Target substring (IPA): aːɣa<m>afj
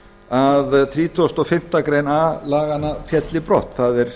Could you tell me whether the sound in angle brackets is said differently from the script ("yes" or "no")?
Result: yes